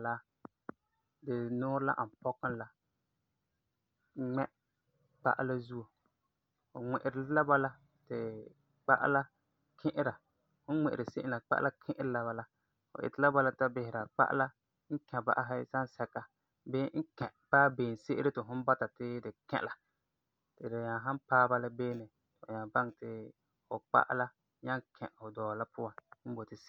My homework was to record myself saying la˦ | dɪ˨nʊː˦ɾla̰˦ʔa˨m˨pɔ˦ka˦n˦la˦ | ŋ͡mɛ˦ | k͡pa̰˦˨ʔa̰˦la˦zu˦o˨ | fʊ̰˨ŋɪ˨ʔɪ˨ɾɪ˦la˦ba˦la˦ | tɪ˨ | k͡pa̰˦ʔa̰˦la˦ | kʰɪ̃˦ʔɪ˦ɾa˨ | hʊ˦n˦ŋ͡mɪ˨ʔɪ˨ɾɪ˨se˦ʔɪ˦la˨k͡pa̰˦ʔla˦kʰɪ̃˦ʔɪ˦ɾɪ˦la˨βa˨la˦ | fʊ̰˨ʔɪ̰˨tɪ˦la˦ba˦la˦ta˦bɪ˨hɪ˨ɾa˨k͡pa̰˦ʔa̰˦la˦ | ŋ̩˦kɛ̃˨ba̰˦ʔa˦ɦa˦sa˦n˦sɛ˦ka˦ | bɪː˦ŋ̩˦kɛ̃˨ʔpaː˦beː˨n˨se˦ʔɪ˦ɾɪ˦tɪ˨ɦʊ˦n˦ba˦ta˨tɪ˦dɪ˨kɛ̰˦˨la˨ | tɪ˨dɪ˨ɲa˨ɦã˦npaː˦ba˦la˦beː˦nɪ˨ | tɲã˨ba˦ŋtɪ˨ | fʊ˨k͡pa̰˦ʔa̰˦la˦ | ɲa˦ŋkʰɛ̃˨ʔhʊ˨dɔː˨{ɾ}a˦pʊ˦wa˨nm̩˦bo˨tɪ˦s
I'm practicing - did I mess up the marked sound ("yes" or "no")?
yes